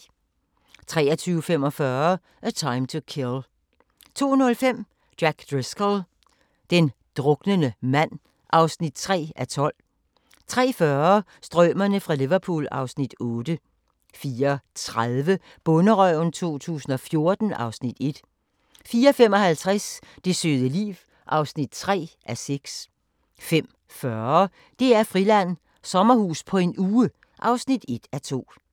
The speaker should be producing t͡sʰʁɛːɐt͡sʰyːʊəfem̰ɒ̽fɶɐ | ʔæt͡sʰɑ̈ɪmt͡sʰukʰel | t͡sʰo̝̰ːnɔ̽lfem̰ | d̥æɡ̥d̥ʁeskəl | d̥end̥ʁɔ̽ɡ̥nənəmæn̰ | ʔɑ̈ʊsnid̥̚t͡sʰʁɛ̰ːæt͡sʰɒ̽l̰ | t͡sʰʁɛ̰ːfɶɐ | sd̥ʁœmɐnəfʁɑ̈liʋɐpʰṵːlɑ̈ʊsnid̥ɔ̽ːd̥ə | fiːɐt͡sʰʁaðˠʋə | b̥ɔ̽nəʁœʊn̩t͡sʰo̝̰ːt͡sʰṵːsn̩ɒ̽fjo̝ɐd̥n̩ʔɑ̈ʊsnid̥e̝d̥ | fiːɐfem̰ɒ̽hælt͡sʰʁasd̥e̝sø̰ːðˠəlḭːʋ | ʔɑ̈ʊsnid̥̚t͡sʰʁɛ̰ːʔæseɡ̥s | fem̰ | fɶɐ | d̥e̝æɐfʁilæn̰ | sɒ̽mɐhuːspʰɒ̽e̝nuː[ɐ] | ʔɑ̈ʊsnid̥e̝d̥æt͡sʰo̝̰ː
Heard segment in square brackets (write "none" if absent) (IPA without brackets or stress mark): ə